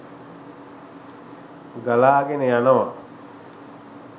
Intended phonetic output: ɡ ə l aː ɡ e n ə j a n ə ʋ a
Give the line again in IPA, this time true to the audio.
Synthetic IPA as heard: ɡ a l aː ɡ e n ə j a n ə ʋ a